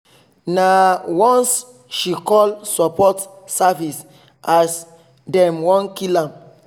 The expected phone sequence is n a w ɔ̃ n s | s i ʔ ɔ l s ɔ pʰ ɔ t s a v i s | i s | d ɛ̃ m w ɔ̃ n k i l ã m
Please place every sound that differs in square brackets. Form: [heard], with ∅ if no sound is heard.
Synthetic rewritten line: n a w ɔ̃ n s | [ʃ] i [k] ɔ l s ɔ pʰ ɔ t s a v i s | [a] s | d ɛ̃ m w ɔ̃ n k i l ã m

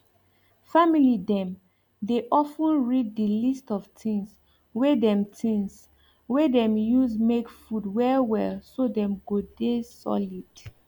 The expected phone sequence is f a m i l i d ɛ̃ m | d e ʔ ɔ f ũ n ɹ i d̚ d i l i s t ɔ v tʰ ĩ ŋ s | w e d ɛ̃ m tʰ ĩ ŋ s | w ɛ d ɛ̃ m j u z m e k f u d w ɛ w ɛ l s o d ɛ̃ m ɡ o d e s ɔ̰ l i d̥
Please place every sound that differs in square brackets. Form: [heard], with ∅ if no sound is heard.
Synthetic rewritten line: f a m i l i d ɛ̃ m | d e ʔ ɔ f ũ n ɹ i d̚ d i l i s t ɔ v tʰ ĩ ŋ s | w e d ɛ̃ m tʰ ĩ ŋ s | w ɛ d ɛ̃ m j u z m e k f u d w ɛ w ɛ l s o d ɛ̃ m ɡ o d e s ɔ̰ l i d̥

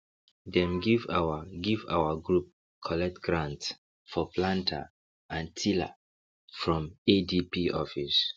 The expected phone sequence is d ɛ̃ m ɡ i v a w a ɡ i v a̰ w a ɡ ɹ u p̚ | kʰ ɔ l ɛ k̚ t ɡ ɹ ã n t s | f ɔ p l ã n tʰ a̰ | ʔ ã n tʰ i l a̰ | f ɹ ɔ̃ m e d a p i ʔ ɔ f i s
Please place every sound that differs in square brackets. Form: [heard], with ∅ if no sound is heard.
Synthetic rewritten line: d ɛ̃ m ɡ i v a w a ɡ i v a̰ w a ɡ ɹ u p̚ | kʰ ɔ l ɛ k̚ t ɡ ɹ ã n t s | f ɔ p l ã n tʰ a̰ | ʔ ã n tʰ i l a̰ | f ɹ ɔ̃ m e d [i] p i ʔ ɔ f i s

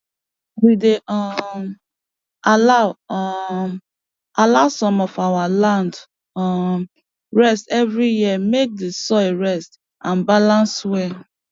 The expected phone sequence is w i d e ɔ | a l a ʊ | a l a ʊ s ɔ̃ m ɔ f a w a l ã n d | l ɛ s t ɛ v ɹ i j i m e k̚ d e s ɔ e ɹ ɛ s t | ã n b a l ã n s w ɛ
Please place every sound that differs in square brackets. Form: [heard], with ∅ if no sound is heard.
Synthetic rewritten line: w i d e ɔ | a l a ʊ | a l a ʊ s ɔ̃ m ɔ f a w a l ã n d | [ɹ] ɛ s t ɛ v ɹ i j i m e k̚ d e s ɔ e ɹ ɛ s t | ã n b a l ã n s w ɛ

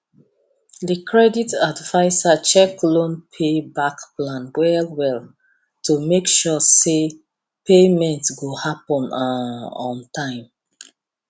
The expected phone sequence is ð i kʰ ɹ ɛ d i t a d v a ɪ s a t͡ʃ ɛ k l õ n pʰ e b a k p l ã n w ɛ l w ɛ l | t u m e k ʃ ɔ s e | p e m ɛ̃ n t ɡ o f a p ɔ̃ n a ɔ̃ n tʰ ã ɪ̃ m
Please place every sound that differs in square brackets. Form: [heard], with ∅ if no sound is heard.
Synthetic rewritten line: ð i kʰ ɹ ɛ d i t a d v a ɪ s a t͡ʃ ɛ k l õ n pʰ e b a k p l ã n w ɛ l w ɛ l | t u m e k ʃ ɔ s e | p e m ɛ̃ n t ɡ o [h] a p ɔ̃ n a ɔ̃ n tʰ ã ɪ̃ m

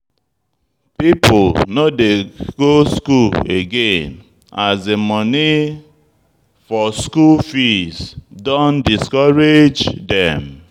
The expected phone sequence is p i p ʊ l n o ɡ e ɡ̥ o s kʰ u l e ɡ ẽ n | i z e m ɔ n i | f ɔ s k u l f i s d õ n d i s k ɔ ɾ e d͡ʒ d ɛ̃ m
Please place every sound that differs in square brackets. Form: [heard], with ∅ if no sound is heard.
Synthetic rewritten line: p i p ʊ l n o [d] e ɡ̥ o s [k] u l e ɡ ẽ n | [a] z e m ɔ n i | f ɔ s k u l f i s d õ n d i s k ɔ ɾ e d͡ʒ d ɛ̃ m

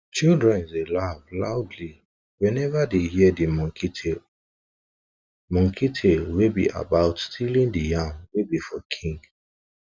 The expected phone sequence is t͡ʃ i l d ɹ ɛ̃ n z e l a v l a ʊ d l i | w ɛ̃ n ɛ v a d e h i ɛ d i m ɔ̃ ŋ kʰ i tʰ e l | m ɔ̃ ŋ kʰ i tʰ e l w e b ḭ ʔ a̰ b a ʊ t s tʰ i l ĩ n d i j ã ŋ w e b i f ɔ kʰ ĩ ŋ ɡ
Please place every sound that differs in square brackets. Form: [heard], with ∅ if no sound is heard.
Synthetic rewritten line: t͡ʃ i l d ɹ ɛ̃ n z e l a v l a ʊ d l i | w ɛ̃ n ɛ v a d e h i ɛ d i m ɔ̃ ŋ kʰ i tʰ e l | m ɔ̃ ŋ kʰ i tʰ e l w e b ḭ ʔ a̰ b a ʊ t s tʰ i l ĩ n d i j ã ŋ w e b i f ɔ kʰ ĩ ŋ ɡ

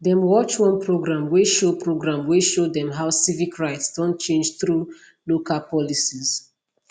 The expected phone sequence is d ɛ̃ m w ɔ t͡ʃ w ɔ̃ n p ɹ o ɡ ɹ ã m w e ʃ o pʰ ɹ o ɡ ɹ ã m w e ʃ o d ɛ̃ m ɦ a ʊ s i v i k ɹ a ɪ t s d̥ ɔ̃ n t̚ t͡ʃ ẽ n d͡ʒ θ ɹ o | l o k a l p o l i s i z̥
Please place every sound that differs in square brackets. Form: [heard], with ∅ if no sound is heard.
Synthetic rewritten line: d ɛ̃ m w ɔ t͡ʃ w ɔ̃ n p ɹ o ɡ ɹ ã m w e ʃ o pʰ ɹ o ɡ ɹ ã m w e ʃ o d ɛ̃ m ɦ a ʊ s i v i k ɹ a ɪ t s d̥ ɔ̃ n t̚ t͡ʃ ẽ n d͡ʒ θ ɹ [u] | l o k a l p [ɔ] l i s i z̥

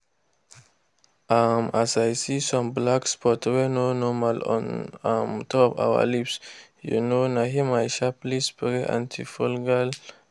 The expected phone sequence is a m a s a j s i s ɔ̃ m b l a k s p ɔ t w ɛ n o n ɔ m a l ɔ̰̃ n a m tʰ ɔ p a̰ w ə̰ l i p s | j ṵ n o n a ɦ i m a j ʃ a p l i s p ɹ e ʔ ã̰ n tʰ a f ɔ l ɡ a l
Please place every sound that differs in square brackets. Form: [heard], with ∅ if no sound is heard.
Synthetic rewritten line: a m a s a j s i s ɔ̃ m b l a k s p ɔ t w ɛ n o n ɔ m a l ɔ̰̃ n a m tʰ ɔ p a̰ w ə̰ l i p s | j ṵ n o n a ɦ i m a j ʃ a p l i s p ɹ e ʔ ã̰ n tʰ [i] f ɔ l ɡ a l

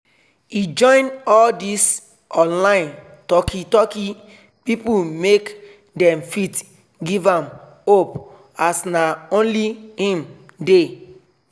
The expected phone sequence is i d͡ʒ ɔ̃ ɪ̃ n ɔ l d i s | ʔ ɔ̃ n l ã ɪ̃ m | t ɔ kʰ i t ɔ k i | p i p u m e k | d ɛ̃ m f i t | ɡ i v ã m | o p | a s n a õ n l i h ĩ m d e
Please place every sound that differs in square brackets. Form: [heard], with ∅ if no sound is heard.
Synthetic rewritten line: i d͡ʒ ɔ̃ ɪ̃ n ɔ l d i s | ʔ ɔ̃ n l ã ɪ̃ [n] | t ɔ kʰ i t ɔ k i | p i p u m e k | d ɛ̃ m f i t | ɡ i v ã m | o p | a s n a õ n l i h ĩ m d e

